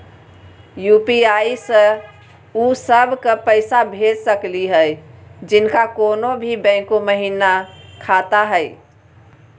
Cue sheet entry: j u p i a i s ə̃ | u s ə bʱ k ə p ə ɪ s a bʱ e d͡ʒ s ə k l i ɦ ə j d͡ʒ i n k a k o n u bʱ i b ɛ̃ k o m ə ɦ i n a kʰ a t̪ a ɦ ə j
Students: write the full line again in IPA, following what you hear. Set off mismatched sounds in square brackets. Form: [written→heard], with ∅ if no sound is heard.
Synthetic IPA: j u p i a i s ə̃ | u s ə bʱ k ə p ə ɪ s a bʱ e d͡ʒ s ə k l i ɦ ə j d͡ʒ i n k a k o n [u→o] bʱ i b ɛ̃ k o m ə ɦ i n a kʰ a t̪ a ɦ ə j